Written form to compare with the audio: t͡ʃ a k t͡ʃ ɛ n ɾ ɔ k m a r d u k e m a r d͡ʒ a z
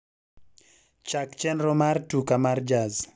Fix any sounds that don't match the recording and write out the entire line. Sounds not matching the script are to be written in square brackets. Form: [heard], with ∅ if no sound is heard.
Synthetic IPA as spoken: t͡ʃ a k t͡ʃ ɛ n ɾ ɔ [∅] m a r [t] u k [a] m a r d͡ʒ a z